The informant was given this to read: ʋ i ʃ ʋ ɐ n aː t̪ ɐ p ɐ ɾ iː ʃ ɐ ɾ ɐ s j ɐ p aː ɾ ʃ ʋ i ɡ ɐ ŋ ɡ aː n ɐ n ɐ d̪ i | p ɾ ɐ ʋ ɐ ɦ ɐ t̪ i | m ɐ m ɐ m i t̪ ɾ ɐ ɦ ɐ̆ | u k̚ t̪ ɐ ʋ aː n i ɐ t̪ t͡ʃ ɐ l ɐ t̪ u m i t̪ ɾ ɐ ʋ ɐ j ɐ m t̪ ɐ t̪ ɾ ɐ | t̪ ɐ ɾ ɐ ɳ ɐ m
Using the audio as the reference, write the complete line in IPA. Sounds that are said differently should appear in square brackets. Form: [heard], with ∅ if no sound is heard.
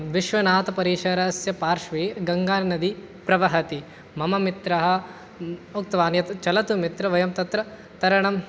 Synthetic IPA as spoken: ʋ i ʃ ʋ ɐ n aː t̪ ɐ p ɐ ɾ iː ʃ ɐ ɾ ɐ s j ɐ p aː ɾ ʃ ʋ i ɡ ɐ ŋ ɡ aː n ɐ n ɐ d̪ i | p ɾ ɐ ʋ ɐ ɦ ɐ t̪ i | m ɐ m ɐ m i t̪ ɾ ɐ ɦ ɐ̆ | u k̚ t̪ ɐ ʋ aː n [j] ɐ t̪ t͡ʃ ɐ l ɐ t̪ u m i t̪ ɾ ɐ ʋ ɐ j ɐ m t̪ ɐ t̪ ɾ ɐ | t̪ ɐ ɾ ɐ ɳ ɐ m